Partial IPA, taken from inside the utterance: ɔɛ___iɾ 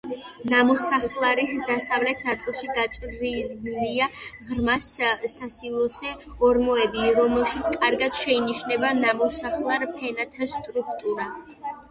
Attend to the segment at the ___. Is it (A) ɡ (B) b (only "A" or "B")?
B